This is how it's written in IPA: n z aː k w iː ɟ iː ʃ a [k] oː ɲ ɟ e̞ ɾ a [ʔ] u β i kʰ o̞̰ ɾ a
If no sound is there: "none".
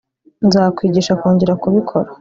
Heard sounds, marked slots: k, k

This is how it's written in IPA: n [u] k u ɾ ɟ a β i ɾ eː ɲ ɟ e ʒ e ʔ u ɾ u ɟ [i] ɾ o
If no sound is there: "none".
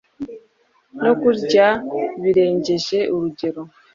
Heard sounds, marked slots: o, e

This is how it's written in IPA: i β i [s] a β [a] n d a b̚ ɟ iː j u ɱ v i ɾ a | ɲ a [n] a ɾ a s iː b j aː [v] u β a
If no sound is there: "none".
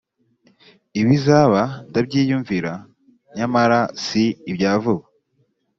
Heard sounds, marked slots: z, a, m, v

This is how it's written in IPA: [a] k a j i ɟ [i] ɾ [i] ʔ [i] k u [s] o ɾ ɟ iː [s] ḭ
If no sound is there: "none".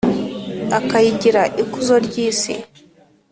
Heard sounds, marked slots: a, i, a, i, z, s

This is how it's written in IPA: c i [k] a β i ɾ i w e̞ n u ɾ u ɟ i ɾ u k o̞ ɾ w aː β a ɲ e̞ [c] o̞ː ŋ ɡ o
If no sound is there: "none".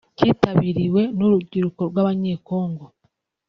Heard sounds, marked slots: t, k

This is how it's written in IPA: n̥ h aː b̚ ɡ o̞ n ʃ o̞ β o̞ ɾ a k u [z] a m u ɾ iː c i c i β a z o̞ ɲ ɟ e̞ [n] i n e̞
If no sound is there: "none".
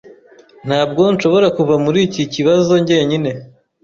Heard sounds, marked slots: v, ɲ

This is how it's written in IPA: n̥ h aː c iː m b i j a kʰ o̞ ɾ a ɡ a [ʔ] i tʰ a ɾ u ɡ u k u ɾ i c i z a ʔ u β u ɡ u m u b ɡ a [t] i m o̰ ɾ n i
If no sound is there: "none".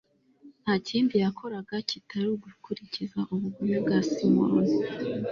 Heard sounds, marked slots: c, s

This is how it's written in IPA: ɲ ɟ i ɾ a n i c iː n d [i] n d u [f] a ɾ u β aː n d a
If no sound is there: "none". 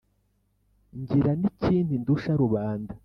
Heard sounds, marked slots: i, ʃ

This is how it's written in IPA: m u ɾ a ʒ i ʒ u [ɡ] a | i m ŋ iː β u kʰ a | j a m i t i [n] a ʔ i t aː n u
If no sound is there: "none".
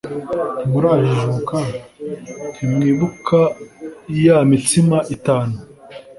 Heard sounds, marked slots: k, m

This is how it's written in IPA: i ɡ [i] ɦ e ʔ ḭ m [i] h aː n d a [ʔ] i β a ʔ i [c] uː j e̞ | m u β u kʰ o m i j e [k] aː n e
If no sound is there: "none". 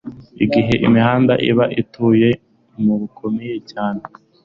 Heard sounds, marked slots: i, i, ʔ, t, c

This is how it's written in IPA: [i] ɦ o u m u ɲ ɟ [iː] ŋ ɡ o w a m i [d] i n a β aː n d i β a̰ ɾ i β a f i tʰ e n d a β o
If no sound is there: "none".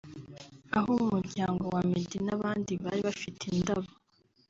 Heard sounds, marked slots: a, aː, d

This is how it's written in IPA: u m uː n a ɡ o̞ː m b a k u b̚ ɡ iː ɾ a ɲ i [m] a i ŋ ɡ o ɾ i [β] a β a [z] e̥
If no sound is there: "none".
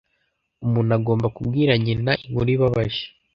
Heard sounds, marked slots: n, β, ʒ

